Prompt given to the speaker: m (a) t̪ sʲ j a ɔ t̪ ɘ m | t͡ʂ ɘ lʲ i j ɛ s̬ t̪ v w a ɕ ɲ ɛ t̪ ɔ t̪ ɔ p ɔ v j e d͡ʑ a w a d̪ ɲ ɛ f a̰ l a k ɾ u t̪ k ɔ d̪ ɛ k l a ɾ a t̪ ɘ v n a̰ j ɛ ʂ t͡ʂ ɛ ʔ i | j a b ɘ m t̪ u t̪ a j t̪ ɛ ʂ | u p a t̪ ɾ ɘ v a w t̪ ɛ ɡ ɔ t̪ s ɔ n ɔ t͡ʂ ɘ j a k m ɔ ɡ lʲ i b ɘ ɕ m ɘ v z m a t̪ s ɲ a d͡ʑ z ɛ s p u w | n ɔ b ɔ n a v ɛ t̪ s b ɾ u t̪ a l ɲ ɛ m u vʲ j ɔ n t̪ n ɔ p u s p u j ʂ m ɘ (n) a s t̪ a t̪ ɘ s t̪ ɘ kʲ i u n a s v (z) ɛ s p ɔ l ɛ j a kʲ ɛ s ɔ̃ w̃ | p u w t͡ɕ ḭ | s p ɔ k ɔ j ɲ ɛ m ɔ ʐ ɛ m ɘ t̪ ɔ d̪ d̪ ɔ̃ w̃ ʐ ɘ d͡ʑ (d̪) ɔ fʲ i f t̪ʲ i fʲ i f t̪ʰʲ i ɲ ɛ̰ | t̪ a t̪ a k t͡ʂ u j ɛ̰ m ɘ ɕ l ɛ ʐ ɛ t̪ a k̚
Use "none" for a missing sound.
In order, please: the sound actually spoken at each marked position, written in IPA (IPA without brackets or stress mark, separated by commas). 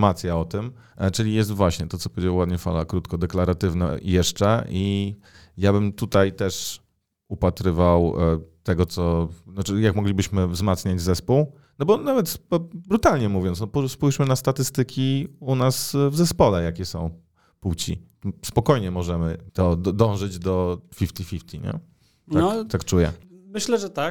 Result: a, n, z, d̪